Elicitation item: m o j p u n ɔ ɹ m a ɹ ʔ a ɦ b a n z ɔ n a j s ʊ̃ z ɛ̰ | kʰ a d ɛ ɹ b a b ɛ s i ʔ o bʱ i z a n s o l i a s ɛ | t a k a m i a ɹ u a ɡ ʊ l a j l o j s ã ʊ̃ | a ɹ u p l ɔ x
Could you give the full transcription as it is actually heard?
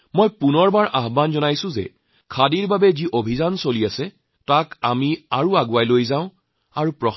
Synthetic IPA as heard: m o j p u n ɔ ɹ b a ɹ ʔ a ɦ b a n z ɔ n a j s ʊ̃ z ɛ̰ | kʰ a d i ɹ b a b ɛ z i ʔ o bʱ i z a n s o l i a s ɛ | t a k a m i a ɹ u a ɡ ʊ a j l o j z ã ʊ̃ | a ɹ u p ɹ ɔ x